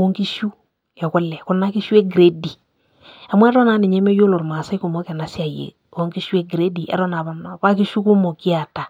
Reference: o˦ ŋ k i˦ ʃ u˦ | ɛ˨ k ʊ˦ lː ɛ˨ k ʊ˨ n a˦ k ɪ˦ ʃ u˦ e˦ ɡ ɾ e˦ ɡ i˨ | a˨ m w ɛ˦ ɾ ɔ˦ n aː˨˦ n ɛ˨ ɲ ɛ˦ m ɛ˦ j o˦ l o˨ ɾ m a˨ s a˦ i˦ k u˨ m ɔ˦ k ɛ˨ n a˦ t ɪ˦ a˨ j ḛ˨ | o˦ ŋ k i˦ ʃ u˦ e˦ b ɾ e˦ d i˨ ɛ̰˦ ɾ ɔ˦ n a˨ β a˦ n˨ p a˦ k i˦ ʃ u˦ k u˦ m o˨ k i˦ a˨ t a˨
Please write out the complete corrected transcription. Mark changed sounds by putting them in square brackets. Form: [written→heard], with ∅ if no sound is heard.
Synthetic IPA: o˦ ŋ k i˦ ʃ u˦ | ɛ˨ k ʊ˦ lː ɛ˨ k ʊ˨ n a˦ k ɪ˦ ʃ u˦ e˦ ɡ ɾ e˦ [ɡ→d] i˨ | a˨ m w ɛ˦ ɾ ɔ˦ n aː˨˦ n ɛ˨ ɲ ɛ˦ m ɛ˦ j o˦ l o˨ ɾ m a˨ s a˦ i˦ k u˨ m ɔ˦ k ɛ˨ n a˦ [t→s] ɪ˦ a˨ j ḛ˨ | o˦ ŋ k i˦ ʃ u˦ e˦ [b→ɡ] ɾ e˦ d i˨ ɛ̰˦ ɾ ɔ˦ n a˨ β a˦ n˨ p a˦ k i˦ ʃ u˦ k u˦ m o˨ k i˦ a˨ t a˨